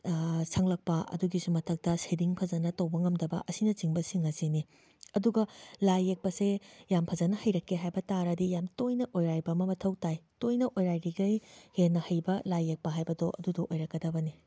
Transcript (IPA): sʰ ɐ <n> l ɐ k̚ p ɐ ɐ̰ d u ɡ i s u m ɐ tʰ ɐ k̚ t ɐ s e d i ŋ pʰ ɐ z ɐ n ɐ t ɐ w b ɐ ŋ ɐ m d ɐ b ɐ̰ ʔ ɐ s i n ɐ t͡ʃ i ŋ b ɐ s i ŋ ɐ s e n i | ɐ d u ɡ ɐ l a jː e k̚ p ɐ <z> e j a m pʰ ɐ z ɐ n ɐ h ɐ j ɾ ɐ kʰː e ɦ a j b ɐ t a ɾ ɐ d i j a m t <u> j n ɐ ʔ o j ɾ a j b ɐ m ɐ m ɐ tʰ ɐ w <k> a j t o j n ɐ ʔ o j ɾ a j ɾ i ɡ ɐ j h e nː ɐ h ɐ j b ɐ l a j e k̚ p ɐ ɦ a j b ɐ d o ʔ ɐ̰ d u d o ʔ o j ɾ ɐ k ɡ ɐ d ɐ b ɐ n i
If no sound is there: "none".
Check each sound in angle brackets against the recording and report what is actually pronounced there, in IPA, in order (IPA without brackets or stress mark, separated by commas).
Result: ŋ, s, o, t